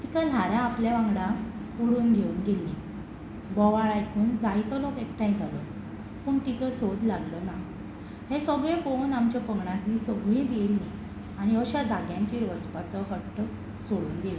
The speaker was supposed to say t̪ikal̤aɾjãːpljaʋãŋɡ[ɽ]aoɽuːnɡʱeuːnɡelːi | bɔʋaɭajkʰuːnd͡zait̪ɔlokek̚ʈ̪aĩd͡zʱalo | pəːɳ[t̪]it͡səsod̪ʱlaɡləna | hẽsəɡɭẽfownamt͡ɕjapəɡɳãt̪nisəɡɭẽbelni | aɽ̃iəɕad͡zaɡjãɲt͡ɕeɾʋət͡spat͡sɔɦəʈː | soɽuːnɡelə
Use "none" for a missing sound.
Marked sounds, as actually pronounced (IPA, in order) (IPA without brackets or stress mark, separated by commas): ɽ, t̪